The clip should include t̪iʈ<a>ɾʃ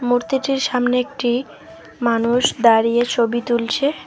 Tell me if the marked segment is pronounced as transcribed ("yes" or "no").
no